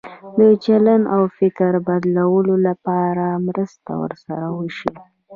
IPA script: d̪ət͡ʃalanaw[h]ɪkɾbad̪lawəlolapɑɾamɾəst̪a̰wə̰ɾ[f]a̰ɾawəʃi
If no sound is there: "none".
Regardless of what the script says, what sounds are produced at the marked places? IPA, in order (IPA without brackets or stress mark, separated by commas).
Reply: f, s